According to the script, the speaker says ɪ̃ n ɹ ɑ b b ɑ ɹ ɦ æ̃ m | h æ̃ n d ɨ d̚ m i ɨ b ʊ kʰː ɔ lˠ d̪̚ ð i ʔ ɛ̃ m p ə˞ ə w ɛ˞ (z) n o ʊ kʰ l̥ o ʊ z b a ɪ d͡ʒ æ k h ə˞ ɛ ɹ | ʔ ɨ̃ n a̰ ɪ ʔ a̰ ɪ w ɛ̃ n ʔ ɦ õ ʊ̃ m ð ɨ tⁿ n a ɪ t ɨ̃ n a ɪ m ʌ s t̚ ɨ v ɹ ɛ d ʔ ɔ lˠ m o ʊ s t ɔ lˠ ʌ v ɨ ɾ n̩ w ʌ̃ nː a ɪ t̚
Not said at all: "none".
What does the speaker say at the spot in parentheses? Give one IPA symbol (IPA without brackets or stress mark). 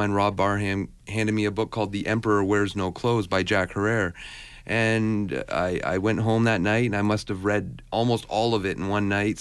z